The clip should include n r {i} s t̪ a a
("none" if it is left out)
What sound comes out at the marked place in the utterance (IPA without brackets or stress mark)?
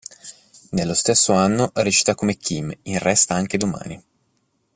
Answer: ɛ